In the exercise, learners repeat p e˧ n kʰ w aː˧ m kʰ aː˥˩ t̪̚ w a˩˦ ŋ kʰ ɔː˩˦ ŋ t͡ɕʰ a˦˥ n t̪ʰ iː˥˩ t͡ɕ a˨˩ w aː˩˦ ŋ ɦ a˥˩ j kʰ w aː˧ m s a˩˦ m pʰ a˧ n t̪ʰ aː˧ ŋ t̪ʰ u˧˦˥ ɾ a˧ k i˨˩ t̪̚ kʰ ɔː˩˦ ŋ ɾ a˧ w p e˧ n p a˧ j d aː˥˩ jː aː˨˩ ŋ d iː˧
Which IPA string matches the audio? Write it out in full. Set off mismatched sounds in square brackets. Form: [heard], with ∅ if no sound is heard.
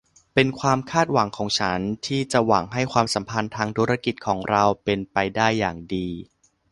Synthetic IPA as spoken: p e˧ n kʰ w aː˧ m kʰ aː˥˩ t̪̚ w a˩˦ ŋ kʰ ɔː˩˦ ŋ t͡ɕʰ a˦˥ n t̪ʰ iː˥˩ t͡ɕ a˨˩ w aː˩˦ ŋ ɦ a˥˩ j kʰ w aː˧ m s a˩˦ m pʰ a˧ n t̪ʰ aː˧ ŋ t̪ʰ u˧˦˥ ɾ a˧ k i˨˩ t̪̚ kʰ ɔː˩˦ ŋ ɾ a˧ w p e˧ n p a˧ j d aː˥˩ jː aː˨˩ ŋ d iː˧